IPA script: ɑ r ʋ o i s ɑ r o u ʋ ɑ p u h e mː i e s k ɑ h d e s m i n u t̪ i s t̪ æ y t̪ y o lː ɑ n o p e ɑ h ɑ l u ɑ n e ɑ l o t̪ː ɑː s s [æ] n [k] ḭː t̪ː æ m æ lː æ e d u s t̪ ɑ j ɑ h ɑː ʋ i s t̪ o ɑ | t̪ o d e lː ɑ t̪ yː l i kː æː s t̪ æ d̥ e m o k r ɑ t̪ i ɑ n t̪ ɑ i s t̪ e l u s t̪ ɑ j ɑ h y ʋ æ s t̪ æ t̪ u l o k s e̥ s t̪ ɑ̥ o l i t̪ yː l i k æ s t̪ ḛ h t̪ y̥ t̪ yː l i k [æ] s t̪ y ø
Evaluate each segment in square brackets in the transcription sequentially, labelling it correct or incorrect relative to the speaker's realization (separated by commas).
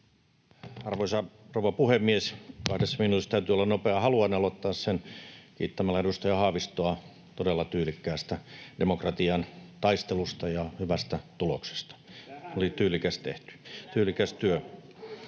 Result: incorrect, correct, correct